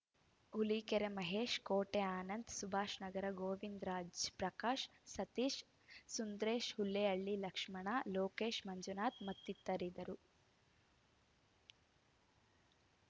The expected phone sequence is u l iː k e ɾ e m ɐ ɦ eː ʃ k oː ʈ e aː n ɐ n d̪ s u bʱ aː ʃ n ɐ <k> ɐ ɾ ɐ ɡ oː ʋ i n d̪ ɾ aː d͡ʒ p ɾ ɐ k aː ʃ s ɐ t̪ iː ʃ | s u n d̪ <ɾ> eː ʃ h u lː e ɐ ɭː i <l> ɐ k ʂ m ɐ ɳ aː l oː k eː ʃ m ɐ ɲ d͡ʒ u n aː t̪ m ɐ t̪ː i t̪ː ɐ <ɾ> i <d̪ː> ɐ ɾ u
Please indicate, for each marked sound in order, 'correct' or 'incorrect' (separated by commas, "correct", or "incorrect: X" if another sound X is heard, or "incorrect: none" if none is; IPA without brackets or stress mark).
incorrect: ɡ, correct, correct, correct, incorrect: d̪